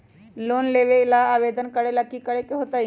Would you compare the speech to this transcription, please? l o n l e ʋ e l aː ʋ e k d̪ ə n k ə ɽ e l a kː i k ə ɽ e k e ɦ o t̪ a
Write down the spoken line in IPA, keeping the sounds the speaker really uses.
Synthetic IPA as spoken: l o n l e ʋ e l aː ʋ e d̪ ə n k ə ɽ e l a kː i k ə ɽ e k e ɦ o t̪ a